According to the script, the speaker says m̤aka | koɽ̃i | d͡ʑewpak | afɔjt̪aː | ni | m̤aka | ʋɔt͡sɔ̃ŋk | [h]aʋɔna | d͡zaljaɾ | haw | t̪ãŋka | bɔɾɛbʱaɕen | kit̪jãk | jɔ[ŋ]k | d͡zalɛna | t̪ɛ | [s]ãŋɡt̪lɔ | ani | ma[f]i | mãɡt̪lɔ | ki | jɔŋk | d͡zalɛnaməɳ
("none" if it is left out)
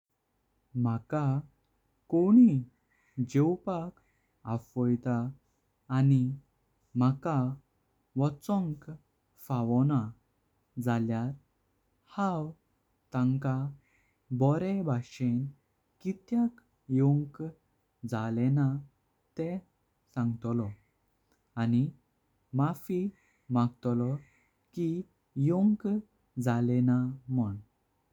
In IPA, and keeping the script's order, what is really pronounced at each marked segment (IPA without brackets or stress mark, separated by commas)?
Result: f, ŋ, s, f